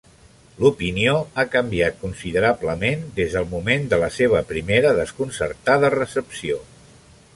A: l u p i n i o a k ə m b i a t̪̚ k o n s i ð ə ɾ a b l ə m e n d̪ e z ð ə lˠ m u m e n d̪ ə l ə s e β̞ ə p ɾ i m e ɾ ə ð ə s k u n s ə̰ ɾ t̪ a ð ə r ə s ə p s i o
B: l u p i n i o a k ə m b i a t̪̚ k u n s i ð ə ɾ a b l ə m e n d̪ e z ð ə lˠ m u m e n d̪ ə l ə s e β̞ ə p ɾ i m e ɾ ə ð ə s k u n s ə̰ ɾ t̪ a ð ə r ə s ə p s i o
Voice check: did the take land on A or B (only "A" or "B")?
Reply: B